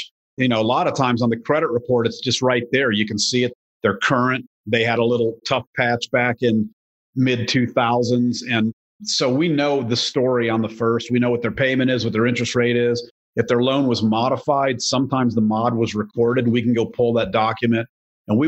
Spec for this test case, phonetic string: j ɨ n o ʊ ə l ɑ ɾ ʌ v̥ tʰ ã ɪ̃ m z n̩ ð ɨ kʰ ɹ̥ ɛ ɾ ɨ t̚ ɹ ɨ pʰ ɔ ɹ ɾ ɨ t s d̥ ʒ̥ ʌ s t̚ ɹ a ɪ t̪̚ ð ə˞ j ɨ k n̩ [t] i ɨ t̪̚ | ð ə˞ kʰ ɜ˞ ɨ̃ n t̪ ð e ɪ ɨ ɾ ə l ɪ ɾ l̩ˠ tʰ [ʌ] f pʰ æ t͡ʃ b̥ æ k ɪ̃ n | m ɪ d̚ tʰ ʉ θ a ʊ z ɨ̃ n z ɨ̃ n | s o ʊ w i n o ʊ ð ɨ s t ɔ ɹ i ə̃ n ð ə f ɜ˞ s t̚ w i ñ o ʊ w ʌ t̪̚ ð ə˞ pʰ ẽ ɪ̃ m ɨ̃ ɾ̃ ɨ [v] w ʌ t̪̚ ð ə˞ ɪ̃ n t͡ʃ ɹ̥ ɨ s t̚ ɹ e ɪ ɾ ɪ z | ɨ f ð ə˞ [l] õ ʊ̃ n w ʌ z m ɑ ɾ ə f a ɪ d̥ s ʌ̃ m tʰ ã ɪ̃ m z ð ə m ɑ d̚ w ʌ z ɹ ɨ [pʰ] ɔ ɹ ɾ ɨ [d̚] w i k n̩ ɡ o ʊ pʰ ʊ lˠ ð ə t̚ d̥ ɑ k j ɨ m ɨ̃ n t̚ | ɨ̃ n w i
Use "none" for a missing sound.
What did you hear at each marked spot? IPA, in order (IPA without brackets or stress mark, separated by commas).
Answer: s, ʌ, z, l, kʰ, d̚